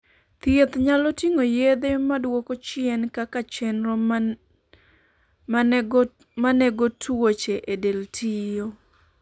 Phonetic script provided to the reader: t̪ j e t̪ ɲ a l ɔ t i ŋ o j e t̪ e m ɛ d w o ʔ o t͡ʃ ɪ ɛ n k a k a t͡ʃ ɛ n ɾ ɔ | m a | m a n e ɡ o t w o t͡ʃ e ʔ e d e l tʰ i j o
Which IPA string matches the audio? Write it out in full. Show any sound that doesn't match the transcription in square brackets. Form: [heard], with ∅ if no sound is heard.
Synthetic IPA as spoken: t̪ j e t̪ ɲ a l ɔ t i ŋ o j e [d̪] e m [a] d w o [k] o t͡ʃ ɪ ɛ n k a k a t͡ʃ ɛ n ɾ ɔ | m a | m a n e ɡ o t w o t͡ʃ e ʔ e d e l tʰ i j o